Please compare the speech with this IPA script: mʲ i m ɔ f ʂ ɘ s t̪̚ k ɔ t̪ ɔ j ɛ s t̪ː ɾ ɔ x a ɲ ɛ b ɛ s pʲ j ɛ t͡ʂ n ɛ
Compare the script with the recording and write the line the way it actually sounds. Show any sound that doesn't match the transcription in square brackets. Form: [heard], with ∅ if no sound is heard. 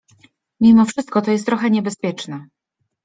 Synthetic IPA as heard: mʲ i m ɔ f ʂ ɘ s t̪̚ k ɔ t̪ ɔ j ɛ s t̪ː ɾ ɔ x [ɛ] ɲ ɛ b ɛ s pʲ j ɛ t͡ʂ n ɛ